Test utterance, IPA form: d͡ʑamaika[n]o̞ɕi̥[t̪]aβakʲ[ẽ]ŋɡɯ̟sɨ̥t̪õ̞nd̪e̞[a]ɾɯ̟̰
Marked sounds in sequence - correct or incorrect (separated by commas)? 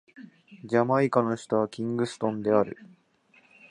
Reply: correct, correct, incorrect, correct